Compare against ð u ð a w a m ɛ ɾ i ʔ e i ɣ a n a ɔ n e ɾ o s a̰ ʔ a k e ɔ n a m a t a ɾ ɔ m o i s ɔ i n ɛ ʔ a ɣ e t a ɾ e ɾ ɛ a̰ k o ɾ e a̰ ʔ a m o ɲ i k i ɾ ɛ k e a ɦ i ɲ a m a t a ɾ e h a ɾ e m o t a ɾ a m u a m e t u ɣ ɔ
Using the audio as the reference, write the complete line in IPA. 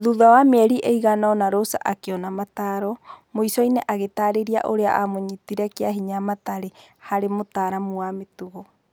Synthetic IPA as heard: ð u ð a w a m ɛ ɾ i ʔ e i ɣ a n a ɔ n a ɾ o s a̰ ʔ a k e ɔ n a m a t a ɾ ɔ m o i s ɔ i n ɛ ʔ a ɣ e t a ɾ e ɾ i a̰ ʔ o ɾ e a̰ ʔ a m o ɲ i t i ɾ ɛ k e a ɦ i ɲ a m a t a ɾ e h a ɾ e m o t a ɾ a m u a m e t u ɣ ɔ